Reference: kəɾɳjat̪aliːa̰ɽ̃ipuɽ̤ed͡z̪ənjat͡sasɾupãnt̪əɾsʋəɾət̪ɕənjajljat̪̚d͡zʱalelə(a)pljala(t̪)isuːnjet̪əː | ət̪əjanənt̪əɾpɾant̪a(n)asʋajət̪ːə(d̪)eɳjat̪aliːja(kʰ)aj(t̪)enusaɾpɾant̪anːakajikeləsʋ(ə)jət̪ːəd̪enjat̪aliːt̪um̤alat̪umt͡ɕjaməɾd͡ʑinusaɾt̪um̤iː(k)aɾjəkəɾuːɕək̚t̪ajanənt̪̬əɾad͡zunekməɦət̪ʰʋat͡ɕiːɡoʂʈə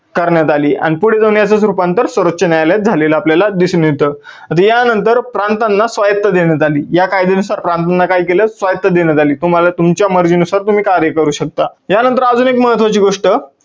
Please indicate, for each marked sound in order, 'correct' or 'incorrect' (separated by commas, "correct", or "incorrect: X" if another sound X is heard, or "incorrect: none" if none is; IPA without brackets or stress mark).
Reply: correct, incorrect: d̪, incorrect: nː, correct, incorrect: k, incorrect: d̪, incorrect: a, correct